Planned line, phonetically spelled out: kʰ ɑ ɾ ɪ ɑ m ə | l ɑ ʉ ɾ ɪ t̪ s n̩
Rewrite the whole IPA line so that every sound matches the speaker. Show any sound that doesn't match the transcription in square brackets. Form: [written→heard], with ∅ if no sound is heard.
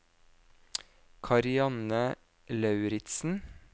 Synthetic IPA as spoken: kʰ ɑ ɾ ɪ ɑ [m→n] ə | l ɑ ʉ ɾ ɪ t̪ s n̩